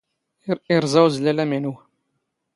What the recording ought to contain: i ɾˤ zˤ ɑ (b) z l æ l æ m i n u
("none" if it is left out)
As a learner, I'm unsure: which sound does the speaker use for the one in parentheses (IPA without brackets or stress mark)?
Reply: w